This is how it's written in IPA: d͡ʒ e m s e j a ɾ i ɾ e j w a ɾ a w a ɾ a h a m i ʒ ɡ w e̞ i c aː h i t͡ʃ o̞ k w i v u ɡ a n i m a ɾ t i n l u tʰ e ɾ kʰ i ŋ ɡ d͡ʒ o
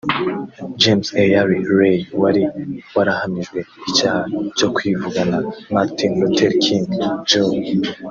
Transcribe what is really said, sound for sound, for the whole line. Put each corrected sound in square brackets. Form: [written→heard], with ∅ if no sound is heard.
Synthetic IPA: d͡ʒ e m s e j a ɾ i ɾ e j w a ɾ [a→i] w a ɾ a h a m i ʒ ɡ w e̞ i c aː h [i→a] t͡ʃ o̞ k w i v u ɡ a n [i→a] m a ɾ t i n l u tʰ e ɾ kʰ i ŋ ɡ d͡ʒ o